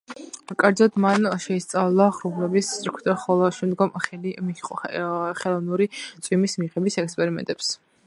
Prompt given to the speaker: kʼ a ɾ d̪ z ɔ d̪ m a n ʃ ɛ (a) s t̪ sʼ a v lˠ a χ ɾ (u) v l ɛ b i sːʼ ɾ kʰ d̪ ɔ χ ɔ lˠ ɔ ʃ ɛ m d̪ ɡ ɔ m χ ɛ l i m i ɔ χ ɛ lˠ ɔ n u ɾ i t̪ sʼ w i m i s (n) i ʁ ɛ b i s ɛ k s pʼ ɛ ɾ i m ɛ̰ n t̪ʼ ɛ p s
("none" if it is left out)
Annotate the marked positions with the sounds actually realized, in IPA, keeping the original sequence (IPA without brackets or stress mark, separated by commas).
i, u, m